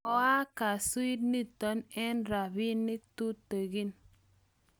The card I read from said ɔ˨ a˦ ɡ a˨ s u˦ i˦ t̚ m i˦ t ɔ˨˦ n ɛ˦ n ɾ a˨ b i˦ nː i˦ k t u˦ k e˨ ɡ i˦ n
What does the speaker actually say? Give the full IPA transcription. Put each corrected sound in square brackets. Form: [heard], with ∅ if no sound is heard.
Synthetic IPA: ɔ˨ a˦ [k] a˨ s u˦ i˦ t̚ [n] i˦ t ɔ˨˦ n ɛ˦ n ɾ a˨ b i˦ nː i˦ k t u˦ [t] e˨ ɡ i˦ n

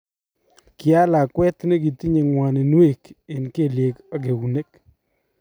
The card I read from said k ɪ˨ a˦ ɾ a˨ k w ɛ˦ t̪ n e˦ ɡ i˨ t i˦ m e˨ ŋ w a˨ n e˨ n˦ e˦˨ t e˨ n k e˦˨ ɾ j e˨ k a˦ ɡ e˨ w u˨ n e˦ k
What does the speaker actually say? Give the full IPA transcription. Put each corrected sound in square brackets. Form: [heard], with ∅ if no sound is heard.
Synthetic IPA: k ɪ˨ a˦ [l] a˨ k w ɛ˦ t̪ n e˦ ɡ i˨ t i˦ [ɲ] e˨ ŋ w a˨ n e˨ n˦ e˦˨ [k] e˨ n k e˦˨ [l] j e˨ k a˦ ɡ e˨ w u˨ n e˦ k

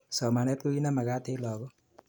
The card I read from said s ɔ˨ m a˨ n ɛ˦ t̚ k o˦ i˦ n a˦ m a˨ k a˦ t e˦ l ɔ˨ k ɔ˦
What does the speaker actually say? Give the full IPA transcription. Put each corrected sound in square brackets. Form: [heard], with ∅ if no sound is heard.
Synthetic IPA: s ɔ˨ m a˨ n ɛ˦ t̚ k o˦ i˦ n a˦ m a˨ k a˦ t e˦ l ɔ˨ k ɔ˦

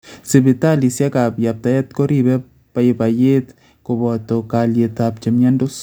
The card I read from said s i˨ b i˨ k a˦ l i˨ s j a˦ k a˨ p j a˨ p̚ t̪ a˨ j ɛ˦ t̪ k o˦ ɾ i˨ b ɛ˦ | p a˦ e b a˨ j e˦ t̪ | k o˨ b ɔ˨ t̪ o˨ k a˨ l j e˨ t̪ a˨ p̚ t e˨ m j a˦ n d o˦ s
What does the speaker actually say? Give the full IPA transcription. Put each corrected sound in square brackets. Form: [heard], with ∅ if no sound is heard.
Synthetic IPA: s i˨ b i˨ [t] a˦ l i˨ s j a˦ k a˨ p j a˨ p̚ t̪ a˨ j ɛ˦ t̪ k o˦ ɾ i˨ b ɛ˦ | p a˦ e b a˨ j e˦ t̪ | k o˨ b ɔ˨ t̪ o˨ k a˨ l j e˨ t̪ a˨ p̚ [t͡ʃ] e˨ m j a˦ n d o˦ s

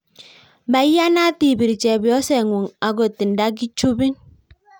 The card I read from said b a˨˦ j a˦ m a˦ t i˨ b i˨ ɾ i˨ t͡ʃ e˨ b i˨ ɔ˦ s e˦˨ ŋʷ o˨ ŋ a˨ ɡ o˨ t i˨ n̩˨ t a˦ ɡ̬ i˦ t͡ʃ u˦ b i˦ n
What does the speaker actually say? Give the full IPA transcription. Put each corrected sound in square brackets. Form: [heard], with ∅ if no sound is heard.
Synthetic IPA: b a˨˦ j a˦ [n] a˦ t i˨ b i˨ ɾ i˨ t͡ʃ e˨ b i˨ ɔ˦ s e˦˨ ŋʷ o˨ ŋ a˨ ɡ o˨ t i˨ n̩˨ [d] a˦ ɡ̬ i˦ t͡ʃ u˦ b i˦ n

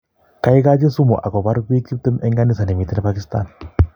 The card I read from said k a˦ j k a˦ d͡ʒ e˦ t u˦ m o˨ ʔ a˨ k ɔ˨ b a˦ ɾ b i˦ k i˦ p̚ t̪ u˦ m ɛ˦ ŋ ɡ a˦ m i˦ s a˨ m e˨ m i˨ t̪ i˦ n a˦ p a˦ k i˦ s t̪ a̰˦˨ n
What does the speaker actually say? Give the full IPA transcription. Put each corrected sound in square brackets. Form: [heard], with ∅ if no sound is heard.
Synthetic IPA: k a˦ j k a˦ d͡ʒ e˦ [s] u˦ m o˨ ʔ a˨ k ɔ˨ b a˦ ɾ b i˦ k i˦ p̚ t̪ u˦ m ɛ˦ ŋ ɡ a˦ [n] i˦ s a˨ [n] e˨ m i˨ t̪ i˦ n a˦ p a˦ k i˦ s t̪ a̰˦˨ n

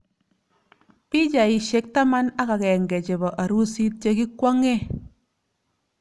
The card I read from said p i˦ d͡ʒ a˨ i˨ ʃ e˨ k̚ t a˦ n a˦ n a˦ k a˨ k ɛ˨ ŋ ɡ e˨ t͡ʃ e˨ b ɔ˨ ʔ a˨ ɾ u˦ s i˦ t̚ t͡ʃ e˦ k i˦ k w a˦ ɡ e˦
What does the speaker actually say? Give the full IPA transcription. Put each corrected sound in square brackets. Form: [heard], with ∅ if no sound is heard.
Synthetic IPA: p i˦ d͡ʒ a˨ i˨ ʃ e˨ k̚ t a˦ [m] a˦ n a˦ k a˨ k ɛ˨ ŋ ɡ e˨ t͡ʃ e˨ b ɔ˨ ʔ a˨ ɾ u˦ s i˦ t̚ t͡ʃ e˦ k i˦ k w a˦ [ŋ] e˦

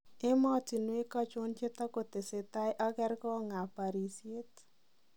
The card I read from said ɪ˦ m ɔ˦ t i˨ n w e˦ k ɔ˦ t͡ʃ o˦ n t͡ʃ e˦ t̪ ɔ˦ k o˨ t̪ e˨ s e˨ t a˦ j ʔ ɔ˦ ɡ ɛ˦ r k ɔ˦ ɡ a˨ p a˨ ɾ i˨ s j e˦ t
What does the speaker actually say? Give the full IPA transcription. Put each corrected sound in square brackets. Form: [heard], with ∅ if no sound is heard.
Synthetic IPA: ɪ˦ m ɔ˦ t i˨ n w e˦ k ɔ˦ t͡ʃ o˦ n t͡ʃ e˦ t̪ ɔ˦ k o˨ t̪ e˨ s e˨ t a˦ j ʔ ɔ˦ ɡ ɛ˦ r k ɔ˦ [ŋ] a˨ p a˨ ɾ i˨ s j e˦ t

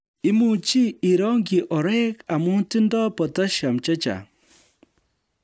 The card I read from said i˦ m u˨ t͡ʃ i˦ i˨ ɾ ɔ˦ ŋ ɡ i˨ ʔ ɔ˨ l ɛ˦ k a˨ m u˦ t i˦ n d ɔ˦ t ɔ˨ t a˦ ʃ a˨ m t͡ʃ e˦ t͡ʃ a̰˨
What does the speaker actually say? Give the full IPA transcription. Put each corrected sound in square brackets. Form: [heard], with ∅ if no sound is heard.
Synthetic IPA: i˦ m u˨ t͡ʃ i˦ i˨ ɾ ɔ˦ ŋ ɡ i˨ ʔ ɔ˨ [ɾ] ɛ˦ k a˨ m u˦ t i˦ n d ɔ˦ [p] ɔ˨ t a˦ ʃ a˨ m t͡ʃ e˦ t͡ʃ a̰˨

